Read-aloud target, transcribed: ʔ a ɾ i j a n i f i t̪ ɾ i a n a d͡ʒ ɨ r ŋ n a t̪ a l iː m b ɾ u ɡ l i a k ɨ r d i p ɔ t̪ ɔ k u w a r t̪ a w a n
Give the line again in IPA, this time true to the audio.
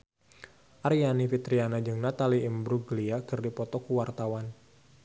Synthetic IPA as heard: ʔ a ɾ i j a n i f i t̪ ɾ i a n a d͡ʒ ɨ ŋ n a t̪ a l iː m b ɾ u ɡ l i a k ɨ r d i p ɔ t̪ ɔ k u w a r t̪ a w a n